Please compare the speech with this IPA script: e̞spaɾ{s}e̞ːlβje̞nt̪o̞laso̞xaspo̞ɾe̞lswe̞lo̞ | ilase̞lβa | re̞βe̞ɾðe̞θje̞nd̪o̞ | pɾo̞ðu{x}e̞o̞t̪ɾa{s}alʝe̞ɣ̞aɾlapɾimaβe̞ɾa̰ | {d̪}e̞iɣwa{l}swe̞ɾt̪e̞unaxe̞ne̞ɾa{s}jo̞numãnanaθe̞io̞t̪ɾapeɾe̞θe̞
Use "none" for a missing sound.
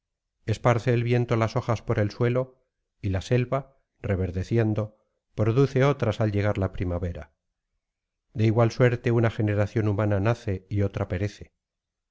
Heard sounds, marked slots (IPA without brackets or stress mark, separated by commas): θ, θ, s, d̪, l, θ